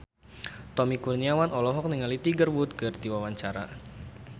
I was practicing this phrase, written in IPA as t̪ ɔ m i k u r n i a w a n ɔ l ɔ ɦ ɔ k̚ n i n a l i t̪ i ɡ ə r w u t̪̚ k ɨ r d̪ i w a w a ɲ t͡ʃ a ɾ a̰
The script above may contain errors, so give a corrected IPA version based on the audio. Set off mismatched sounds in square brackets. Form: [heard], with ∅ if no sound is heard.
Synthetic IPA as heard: t̪ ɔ m i k u r n i a w a n ɔ l ɔ ɦ ɔ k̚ n i [ŋ] a l i t̪ i ɡ ə r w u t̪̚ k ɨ r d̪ i w a w a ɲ t͡ʃ a ɾ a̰